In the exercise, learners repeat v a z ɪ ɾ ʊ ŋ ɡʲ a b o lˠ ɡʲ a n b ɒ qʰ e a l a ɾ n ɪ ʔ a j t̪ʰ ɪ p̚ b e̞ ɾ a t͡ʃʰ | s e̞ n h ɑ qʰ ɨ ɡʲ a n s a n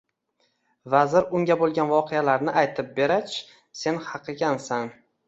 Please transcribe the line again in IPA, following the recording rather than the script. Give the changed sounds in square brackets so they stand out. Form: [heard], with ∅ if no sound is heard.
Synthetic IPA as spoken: v a z ɪ ɾ ʊ ŋ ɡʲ a b o lˠ ɡʲ a n [v] ɒ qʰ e a l a ɾ n ɪ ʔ a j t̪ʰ ɪ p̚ b e̞ ɾ a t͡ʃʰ | s e̞ n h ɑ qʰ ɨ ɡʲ a n s a n